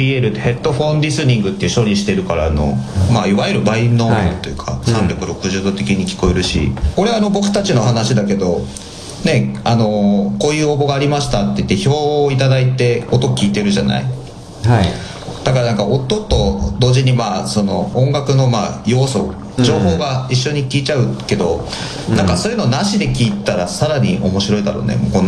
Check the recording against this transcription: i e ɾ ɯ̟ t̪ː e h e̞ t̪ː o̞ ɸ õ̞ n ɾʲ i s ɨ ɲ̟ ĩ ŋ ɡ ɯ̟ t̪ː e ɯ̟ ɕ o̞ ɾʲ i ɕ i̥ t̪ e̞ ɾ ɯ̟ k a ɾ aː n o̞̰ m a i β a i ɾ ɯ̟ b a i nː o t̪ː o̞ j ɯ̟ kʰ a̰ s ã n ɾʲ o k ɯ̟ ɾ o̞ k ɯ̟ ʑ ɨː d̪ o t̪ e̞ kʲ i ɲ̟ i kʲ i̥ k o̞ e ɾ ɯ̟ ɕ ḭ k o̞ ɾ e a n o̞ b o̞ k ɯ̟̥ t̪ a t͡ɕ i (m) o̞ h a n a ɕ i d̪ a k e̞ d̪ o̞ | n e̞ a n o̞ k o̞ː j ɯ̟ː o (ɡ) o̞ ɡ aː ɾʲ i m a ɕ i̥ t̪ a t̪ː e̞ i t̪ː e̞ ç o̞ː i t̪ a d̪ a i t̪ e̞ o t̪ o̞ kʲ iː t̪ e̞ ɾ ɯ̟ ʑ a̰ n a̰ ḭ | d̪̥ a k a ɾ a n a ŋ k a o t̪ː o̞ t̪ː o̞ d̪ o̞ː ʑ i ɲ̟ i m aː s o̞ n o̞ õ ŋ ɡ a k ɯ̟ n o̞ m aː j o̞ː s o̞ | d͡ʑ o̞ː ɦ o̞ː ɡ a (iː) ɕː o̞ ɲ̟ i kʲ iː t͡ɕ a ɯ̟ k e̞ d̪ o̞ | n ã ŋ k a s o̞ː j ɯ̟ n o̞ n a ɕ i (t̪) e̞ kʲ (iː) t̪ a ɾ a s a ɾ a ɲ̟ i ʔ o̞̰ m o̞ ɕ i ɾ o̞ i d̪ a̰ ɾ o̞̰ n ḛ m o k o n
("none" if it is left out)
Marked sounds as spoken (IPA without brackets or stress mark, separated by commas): n, b, i, d̪, iː